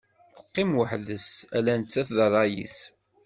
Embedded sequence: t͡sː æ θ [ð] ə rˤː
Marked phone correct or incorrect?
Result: correct